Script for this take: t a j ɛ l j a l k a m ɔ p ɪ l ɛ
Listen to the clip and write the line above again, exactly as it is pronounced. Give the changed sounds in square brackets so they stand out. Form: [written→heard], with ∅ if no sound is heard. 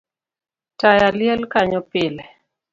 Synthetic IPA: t a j [ɛ→a] l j [a→ɛ] l k a [m→ɲ] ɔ p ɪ l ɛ